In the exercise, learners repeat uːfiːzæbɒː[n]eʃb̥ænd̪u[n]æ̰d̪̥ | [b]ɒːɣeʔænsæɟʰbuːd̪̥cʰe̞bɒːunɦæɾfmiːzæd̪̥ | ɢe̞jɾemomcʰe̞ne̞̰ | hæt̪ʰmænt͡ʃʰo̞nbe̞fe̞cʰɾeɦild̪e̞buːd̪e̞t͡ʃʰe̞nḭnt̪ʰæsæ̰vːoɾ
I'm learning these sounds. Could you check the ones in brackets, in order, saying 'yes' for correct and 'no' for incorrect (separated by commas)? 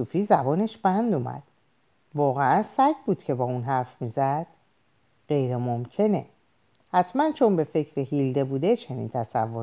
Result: yes, no, no